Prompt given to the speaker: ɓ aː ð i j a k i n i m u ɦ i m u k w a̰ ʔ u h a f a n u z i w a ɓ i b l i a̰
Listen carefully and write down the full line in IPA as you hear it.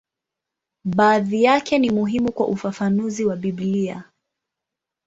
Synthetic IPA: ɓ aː ð i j a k ɛ n i m u ɦ i m u k w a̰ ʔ u f a f a n u z i w a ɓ i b l i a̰